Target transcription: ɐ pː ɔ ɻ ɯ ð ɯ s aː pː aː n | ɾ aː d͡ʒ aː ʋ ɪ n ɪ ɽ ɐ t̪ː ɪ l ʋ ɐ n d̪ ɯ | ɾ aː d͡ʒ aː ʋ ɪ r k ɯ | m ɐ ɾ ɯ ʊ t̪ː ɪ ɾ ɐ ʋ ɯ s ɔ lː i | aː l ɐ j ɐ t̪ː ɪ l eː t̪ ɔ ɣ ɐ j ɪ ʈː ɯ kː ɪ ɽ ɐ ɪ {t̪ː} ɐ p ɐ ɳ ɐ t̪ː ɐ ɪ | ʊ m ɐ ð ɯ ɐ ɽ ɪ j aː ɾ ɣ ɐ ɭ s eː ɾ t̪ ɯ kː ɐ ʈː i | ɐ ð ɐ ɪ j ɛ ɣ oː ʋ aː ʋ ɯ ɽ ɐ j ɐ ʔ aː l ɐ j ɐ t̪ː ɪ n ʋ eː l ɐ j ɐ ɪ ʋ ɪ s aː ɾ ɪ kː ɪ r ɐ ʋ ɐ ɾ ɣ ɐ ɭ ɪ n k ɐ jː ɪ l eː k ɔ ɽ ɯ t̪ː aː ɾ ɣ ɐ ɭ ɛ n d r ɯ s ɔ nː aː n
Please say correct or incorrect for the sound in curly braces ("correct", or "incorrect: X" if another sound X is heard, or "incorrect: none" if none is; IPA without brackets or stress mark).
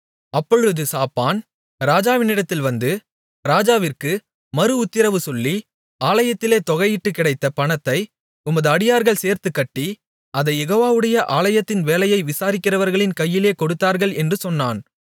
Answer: correct